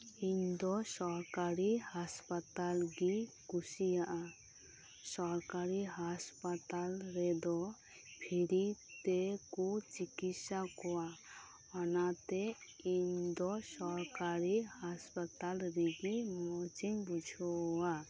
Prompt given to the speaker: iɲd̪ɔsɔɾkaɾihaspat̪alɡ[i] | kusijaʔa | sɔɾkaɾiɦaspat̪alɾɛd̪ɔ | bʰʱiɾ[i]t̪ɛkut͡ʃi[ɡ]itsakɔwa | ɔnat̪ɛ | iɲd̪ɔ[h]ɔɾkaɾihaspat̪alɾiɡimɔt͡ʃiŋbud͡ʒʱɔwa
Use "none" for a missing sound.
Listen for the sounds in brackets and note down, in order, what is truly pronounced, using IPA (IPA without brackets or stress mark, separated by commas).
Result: i, i, k, s